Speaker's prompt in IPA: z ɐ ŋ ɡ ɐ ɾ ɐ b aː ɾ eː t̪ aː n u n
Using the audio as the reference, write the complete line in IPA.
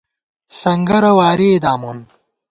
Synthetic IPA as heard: s ɐ ŋ ɡ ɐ ɾ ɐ w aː ɾ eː d̪ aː m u n